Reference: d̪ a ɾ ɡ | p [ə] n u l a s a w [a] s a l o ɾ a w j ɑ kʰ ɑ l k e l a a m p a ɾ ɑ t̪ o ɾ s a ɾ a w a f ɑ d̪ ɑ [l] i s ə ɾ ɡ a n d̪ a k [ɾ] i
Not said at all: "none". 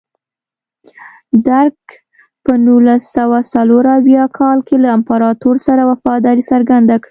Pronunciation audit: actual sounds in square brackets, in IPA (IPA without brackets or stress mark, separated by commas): ə, a, ɾ, ɽ